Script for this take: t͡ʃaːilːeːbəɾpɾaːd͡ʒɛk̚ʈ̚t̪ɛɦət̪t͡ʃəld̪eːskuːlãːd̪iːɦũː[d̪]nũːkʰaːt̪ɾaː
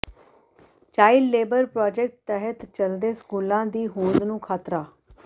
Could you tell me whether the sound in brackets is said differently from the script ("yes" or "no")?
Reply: no